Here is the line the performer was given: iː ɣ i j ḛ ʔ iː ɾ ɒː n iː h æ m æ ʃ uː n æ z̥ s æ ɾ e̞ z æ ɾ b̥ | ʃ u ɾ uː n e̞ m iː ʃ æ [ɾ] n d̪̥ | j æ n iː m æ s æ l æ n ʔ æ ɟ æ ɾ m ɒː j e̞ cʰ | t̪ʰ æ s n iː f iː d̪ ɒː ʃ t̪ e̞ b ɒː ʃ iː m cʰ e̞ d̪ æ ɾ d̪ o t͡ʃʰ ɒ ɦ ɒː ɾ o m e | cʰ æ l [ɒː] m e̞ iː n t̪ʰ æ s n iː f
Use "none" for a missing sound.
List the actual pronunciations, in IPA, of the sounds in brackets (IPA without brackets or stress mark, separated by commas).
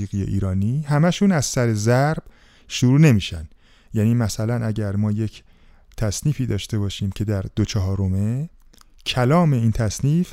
none, ɒː